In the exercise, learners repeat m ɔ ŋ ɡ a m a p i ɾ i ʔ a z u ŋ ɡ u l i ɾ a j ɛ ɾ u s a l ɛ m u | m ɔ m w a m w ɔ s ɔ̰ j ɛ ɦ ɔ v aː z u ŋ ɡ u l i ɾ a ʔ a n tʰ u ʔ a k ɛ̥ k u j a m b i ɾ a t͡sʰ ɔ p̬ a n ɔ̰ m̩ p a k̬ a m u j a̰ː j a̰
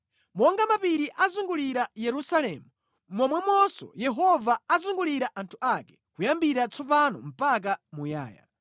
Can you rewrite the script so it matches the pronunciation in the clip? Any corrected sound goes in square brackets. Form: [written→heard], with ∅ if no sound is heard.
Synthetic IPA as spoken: m ɔ ŋ ɡ a m a p i ɾ i ʔ a z u ŋ ɡ u l i ɾ a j ɛ ɾ u s a l ɛ m u | m ɔ m w [a→ɛ] m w ɔ s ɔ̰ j ɛ ɦ ɔ v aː z u ŋ ɡ u l i ɾ a ʔ a n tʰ u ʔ a k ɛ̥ k u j a m b i ɾ a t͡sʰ ɔ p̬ a n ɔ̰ m̩ p a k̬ a m u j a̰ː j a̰